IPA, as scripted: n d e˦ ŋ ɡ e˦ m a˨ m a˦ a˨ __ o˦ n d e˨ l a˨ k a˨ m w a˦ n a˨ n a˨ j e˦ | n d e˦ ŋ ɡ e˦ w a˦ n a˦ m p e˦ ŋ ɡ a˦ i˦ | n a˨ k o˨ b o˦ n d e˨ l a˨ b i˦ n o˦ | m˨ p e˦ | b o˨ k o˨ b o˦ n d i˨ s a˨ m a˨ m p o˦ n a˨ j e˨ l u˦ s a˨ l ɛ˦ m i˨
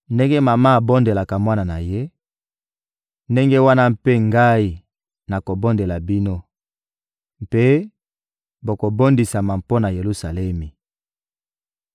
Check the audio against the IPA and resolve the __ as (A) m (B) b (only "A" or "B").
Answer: B